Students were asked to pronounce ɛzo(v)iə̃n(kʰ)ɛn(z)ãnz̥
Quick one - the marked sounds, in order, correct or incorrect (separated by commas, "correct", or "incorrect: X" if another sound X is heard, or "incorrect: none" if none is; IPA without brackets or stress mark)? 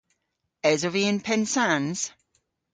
correct, incorrect: pʰ, incorrect: s